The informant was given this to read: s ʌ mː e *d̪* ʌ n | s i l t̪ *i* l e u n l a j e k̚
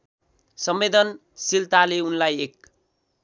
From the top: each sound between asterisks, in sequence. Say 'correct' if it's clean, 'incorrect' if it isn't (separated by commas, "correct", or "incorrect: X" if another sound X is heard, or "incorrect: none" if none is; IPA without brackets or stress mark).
correct, incorrect: a